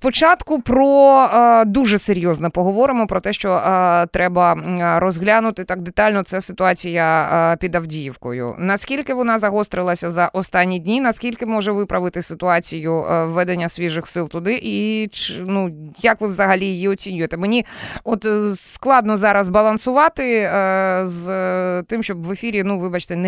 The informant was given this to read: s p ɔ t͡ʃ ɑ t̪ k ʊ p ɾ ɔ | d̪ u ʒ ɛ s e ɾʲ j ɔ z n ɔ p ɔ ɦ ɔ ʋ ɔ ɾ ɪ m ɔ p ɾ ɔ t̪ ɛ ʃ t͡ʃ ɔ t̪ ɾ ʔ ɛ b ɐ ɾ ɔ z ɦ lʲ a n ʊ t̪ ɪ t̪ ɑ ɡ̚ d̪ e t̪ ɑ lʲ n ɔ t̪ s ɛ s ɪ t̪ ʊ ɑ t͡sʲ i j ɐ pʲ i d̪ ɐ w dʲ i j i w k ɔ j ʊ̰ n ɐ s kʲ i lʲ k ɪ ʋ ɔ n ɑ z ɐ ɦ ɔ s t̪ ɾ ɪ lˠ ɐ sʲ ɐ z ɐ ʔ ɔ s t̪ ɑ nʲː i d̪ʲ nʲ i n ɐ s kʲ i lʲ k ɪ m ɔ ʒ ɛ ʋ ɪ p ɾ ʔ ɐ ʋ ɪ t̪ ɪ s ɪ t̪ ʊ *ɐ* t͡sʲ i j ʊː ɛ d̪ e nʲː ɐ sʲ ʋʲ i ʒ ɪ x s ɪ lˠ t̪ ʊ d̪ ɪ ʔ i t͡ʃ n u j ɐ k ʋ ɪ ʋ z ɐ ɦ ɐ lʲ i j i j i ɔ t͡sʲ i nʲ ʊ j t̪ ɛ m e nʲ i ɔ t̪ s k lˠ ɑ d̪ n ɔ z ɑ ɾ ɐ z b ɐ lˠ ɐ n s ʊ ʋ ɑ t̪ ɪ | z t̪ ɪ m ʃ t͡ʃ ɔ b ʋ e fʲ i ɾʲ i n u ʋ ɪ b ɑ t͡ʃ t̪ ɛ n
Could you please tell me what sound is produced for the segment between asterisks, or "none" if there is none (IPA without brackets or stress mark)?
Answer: ɑ